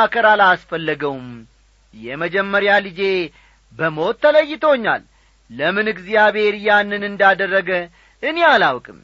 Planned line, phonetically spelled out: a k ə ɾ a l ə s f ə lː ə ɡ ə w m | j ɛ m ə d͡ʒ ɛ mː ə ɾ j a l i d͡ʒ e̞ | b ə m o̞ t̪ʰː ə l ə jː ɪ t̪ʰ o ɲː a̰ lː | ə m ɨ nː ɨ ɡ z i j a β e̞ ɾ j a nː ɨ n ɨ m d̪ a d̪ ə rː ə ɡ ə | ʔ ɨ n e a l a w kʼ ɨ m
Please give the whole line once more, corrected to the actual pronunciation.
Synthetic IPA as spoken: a k ə ɾ a l a s f ə lː ə ɡ ə w m | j ɛ m ə d͡ʒ ɛ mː ə ɾ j a l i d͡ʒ e̞ | b ə m o̞ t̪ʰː ə l ə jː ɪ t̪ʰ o ɲː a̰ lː | ə m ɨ n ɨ ɡ z i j a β e̞ ɾ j a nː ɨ n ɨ n d̪ a d̪ ə rː ə ɡ ə | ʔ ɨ n e a l a w kʼ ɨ m